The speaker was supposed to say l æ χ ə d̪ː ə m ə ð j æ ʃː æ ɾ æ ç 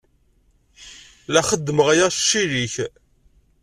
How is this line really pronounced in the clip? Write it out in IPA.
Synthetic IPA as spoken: l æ χ ə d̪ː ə m ə ʁ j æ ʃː i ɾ i ç